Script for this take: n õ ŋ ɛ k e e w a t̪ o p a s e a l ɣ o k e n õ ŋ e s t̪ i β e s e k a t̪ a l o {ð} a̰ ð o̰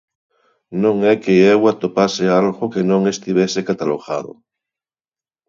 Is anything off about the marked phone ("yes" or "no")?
yes